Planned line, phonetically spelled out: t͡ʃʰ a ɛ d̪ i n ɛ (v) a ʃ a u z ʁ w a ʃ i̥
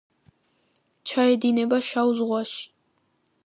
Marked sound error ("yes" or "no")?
yes